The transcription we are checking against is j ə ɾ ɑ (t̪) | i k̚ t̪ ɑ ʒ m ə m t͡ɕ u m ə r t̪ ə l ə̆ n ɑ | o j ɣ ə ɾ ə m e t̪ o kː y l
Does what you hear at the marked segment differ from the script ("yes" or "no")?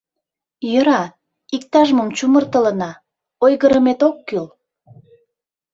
yes